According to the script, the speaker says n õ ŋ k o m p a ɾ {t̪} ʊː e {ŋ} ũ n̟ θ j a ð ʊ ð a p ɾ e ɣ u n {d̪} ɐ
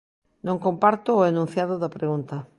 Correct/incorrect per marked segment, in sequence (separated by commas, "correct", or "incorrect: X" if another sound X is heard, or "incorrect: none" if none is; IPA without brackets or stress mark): correct, incorrect: n, incorrect: t̪